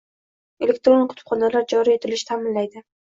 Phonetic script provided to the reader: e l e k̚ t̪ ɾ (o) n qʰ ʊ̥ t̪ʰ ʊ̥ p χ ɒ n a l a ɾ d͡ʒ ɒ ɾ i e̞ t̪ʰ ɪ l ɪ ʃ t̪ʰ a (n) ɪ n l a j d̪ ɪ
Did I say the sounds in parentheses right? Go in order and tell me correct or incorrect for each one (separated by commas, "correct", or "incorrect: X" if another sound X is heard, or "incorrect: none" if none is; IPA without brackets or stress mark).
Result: correct, incorrect: m